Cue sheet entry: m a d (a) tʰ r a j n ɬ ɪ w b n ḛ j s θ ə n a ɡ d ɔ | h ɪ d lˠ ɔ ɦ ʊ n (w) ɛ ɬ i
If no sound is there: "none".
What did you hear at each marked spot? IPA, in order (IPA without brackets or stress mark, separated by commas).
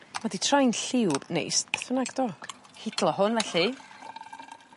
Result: i, v